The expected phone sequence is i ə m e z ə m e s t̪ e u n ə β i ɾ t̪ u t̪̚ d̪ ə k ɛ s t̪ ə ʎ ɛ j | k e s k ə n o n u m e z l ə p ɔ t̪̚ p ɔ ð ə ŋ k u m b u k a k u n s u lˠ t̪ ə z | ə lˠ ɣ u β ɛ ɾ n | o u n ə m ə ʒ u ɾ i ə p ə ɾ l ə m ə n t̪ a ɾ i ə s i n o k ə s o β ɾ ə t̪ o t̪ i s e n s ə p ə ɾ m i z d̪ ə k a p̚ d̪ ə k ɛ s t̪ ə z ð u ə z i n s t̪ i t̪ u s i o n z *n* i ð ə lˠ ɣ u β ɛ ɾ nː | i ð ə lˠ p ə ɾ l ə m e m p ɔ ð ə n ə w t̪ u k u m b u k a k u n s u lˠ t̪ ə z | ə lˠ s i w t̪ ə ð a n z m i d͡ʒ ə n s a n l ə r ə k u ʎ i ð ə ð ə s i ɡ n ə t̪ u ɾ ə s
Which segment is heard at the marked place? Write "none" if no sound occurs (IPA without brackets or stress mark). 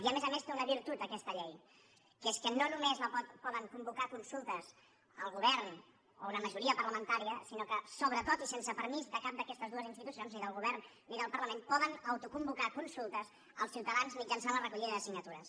n